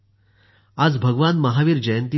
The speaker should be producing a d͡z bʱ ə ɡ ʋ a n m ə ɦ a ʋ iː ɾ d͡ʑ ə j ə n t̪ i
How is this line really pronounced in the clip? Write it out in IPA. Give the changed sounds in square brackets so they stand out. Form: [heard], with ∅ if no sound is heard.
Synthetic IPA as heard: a d͡z bʱ ə ɡ ʋ a n m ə ɦ a ʋ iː ɾ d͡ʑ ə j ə n t̪ i